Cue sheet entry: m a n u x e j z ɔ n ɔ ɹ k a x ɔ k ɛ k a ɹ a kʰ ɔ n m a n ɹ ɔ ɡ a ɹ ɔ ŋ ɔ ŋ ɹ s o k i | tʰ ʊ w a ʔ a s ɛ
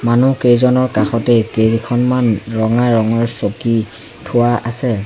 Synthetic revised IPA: m a n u k e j z ɔ n ɔ ɹ k a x ɔ t ɛ k e ɹ i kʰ ɔ n m a n ɹ ɔ ŋ a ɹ ɔ ŋ ɔ ɹ s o k i | tʰ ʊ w a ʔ a s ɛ